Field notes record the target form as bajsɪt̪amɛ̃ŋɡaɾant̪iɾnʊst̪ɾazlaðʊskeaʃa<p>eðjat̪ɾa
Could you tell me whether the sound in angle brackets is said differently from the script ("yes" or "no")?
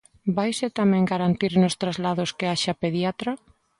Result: no